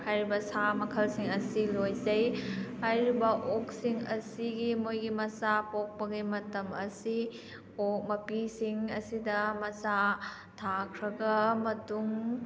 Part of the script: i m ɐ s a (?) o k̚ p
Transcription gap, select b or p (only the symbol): p